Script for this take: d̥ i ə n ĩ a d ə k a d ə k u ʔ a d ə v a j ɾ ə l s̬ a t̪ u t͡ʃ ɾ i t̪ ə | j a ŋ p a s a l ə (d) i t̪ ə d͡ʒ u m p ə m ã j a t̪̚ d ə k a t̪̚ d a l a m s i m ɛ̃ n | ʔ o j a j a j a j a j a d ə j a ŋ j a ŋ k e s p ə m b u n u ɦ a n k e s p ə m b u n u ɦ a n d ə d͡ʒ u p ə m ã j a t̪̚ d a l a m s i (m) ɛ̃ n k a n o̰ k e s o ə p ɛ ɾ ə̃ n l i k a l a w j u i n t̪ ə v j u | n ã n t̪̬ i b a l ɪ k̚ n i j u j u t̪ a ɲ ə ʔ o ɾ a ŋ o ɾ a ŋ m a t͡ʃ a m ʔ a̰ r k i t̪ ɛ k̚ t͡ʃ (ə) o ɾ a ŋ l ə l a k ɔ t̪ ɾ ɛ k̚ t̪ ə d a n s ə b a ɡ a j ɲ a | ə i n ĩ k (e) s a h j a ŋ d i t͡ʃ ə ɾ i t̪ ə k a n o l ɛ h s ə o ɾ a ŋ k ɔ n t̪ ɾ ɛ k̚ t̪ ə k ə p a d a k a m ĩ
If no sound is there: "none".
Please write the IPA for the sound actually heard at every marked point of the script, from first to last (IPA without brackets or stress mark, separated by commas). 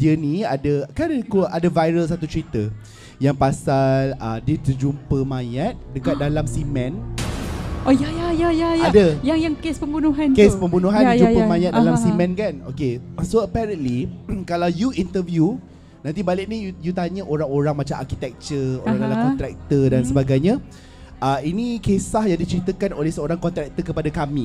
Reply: d, m, ə, e